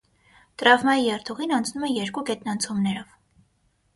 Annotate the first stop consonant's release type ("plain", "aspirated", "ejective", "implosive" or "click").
plain